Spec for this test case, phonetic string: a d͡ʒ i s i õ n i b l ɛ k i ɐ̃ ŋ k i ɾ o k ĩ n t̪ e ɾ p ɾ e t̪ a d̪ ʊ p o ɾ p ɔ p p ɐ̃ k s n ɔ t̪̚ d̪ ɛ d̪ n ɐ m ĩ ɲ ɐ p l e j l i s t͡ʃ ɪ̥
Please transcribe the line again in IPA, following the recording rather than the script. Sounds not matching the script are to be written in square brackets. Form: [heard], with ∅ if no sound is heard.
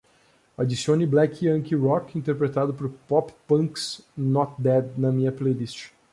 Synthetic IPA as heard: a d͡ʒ i s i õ n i b l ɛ k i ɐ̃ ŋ k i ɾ [ɔ] k ĩ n t̪ e ɾ p ɾ e t̪ a d̪ ʊ p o ɾ p ɔ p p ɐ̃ k s n ɔ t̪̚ d̪ ɛ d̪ n ɐ m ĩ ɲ ɐ p l e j l i s t͡ʃ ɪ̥